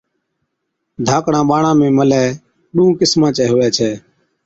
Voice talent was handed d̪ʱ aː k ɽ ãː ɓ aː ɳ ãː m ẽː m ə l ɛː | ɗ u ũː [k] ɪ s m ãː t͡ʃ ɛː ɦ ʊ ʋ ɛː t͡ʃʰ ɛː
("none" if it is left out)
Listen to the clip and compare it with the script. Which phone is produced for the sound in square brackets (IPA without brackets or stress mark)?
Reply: k